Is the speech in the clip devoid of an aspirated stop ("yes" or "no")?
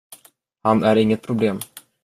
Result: no